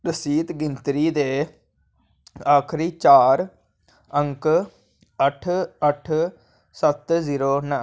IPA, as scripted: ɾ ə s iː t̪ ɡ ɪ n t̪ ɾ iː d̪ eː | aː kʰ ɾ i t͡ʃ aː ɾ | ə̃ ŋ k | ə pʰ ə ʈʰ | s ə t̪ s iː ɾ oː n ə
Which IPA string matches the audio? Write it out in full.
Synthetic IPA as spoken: ɾ ə s iː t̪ ɡ ɪ n t̪ ɾ iː d̪ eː | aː kʰ ɾ iː t͡ʃ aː ɾ | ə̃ ŋ k | ə ʈʰ ə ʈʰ | s ə t̪ z iː ɾ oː n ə